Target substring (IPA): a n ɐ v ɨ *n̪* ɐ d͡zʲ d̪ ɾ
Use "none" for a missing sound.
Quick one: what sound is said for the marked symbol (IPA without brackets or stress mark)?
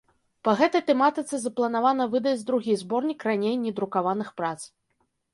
d̪